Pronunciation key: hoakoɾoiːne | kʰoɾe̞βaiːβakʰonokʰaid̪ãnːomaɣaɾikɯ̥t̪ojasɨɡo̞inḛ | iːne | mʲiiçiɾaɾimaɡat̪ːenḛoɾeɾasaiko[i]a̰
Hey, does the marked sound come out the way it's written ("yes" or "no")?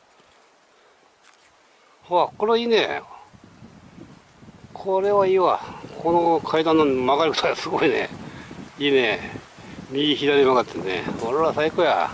no